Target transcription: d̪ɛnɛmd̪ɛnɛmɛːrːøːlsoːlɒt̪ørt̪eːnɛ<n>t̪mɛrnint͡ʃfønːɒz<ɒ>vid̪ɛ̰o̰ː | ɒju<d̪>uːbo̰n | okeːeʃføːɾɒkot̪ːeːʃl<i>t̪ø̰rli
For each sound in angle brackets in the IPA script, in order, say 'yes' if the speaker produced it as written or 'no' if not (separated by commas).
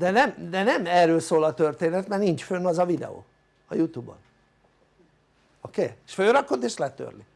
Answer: no, yes, no, no